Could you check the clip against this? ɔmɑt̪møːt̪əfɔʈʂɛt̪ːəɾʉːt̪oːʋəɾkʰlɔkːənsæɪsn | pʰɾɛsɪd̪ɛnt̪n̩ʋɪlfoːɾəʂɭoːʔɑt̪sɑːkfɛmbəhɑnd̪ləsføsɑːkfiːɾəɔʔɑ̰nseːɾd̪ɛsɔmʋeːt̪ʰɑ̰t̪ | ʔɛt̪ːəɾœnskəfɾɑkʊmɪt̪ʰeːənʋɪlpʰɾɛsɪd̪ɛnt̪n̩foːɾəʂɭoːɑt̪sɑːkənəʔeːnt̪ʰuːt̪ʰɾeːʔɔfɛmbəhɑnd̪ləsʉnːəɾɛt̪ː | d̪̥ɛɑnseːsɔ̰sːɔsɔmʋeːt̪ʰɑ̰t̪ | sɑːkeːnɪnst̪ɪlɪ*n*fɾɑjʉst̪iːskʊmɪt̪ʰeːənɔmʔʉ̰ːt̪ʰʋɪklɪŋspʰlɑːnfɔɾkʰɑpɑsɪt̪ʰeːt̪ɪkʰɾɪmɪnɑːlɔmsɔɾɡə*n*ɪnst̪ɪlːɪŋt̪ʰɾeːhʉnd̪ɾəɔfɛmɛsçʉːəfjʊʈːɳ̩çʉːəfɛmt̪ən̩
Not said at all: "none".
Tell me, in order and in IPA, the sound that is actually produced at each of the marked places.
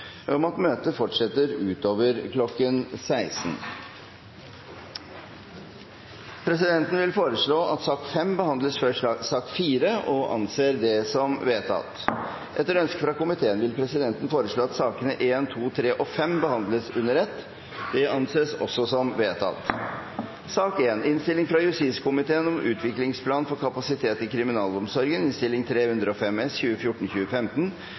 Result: ŋ, n

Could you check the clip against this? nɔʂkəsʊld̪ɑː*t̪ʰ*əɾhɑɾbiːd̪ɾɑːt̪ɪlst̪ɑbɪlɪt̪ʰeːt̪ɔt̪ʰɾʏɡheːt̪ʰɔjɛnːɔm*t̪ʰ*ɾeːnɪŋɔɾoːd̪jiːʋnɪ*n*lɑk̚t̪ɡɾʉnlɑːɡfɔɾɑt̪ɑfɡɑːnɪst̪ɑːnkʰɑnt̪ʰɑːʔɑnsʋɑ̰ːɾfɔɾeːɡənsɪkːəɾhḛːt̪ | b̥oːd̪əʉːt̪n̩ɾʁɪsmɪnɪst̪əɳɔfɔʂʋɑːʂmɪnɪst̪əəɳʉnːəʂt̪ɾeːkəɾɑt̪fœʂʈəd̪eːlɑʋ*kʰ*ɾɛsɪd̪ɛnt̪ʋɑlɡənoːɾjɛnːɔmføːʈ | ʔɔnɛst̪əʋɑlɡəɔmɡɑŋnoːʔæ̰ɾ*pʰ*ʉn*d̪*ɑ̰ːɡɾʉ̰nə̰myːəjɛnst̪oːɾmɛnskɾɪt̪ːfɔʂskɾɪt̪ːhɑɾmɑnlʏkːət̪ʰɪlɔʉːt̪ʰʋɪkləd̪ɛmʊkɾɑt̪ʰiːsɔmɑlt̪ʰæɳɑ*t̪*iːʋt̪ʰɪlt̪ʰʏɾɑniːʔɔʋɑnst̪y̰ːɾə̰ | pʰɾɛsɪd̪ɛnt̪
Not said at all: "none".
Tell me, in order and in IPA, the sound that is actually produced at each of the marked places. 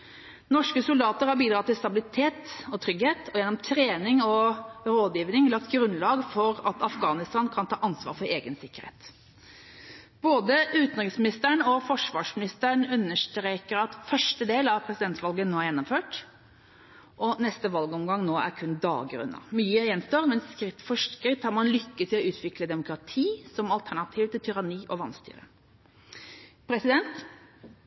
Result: t̪, t̪ʰ, ŋ, pʰ, kʰ, d̪, t̪ʰ

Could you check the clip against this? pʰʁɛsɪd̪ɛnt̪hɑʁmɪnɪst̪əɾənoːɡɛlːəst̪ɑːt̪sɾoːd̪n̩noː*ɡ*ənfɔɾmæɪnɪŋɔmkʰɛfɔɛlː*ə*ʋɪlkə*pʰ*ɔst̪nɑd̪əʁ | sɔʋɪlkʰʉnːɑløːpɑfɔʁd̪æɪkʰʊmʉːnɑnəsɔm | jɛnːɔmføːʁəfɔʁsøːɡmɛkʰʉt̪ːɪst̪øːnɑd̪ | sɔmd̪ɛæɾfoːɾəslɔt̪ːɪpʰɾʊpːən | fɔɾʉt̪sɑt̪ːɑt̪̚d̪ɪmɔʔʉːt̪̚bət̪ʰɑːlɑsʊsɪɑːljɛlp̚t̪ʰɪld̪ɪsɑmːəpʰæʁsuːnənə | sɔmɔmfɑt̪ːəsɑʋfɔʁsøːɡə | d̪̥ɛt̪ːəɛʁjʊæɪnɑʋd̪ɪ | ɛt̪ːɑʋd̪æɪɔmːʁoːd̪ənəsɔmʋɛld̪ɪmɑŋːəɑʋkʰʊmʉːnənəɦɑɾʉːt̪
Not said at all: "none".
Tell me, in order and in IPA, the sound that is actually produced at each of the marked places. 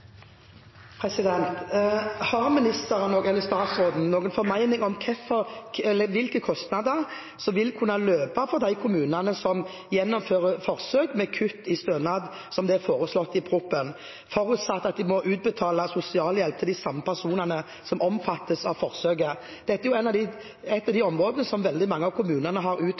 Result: ɡ, ə, kʰ

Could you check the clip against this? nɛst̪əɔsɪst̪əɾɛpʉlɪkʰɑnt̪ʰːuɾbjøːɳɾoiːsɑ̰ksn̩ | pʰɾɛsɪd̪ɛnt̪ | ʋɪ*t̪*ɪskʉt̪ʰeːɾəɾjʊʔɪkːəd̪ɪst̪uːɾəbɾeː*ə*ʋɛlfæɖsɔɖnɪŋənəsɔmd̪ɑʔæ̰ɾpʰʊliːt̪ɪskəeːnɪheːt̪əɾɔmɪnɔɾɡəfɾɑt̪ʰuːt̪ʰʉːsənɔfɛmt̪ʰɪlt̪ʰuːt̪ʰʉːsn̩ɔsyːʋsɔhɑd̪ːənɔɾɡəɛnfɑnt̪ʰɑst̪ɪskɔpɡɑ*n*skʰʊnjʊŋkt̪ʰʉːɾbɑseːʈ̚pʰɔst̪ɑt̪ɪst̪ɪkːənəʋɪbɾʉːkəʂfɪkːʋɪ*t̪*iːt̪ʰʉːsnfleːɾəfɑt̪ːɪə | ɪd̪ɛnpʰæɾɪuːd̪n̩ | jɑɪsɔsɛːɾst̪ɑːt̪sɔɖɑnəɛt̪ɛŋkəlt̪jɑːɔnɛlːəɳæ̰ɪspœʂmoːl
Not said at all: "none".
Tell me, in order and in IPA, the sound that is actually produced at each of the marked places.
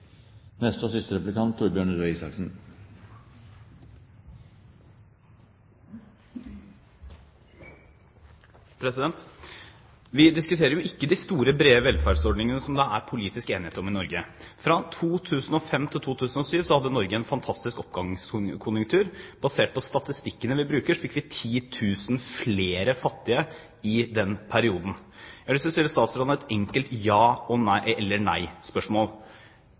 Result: d̪, ə, ŋ, t̪ʰ

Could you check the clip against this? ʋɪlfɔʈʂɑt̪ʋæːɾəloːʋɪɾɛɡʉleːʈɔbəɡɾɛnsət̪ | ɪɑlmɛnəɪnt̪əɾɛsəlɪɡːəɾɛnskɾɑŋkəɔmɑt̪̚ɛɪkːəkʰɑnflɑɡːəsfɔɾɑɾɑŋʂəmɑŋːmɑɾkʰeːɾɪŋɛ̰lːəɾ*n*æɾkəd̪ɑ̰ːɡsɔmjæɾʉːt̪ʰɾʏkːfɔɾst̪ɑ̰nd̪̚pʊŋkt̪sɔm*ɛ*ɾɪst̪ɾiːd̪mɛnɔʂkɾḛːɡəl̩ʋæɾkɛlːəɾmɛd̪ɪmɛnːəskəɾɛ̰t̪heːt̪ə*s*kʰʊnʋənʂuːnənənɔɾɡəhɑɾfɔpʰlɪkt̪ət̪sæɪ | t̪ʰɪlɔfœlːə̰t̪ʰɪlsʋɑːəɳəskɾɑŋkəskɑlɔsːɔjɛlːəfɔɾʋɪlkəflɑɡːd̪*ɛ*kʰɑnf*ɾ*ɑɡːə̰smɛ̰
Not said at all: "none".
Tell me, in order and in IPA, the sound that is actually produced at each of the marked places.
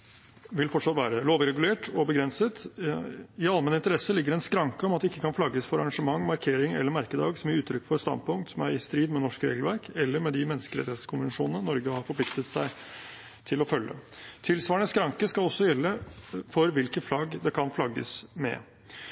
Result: m, æ, s, ɛ, l

